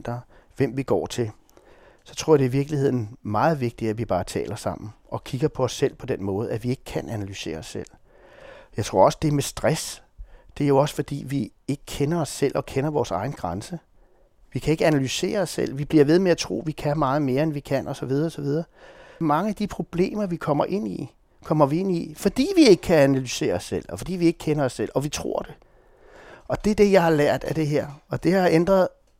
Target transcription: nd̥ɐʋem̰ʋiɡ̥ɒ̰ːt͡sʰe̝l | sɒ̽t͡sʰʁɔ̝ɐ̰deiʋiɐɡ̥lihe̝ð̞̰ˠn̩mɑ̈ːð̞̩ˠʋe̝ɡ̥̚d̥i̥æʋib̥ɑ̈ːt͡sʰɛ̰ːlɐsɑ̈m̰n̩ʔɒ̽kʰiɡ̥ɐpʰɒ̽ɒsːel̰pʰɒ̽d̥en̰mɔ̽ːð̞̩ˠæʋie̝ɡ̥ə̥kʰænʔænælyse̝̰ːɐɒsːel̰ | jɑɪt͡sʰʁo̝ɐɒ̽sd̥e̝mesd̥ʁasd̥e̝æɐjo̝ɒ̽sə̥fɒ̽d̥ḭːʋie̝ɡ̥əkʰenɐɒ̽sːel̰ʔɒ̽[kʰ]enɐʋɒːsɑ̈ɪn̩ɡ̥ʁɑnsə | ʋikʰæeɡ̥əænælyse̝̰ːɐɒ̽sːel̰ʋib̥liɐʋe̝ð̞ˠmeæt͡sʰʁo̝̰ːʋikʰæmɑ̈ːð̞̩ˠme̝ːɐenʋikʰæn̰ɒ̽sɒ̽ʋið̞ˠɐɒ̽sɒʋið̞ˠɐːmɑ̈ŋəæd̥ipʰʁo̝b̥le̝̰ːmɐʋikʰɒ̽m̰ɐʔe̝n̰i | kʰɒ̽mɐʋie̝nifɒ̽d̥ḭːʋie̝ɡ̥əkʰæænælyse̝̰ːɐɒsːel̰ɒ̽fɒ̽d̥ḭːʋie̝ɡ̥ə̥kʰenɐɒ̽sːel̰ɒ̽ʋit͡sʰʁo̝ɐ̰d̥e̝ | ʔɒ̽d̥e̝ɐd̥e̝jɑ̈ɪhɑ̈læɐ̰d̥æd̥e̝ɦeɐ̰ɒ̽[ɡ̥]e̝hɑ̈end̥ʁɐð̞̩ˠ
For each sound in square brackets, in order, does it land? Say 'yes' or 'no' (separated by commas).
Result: yes, no